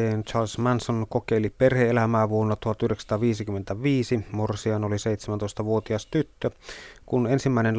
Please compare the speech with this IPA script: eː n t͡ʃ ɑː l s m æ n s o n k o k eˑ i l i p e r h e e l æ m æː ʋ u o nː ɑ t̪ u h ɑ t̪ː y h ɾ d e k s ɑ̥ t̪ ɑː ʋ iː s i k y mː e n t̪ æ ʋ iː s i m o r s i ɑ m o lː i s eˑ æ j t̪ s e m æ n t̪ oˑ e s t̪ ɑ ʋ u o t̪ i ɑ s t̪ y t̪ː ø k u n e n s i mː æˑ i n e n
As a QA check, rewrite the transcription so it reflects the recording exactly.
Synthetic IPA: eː n t͡ʃ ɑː l s m æ n s o n k o k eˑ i l i p e r h e e l æ m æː ʋ u o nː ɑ t̪ u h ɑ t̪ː y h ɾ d e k s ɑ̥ t̪ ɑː ʋ iː s i k y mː e n t̪ æ ʋ iː s i m o r s i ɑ n o l i s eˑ i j t̪ s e m æ n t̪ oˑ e s t̪ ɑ ʋ u o t̪ i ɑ s t̪ y t̪ː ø k u n e n s i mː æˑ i n e n